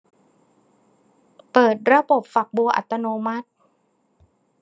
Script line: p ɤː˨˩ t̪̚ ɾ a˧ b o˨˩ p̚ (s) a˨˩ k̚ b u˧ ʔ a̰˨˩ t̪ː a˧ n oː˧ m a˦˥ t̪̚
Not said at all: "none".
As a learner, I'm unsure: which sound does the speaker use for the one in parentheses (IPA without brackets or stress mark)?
f